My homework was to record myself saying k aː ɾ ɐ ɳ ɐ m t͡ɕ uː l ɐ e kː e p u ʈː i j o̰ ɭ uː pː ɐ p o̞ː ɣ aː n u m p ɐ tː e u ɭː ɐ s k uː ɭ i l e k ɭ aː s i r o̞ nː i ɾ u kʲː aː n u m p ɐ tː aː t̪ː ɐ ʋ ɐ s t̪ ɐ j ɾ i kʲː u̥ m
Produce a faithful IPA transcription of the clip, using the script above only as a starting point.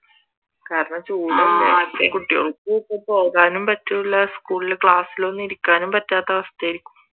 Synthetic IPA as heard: k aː ɾ ɐ ɳ ɐ m t͡ɕ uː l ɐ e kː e k u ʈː i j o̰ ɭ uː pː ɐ p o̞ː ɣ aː n u m p ɐ tː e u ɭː ɐ s k uː ɭ i l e k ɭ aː s i l o̞ nː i ɾ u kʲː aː n u m p ɐ tː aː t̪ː ɐ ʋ ɐ s t̪ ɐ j ɾ i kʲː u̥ m